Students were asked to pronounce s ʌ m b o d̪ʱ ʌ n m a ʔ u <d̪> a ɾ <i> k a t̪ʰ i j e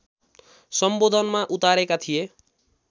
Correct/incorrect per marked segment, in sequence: incorrect, incorrect

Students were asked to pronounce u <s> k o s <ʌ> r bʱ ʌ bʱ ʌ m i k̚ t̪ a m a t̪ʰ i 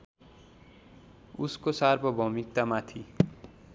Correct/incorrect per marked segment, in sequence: correct, incorrect

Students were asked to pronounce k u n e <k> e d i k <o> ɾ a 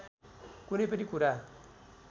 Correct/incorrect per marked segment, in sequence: incorrect, incorrect

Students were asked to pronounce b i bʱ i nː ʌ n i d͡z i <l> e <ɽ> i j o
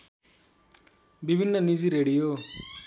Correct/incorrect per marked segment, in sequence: incorrect, correct

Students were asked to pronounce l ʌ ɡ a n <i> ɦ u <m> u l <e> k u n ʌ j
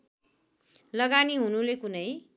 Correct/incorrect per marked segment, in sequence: correct, incorrect, correct

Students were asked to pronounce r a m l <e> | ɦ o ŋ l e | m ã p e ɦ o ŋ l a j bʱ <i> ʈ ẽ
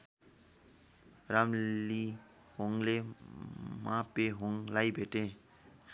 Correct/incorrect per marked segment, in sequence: incorrect, incorrect

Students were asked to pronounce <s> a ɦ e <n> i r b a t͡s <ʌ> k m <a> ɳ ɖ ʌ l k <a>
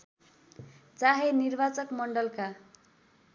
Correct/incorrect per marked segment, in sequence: incorrect, correct, correct, incorrect, correct

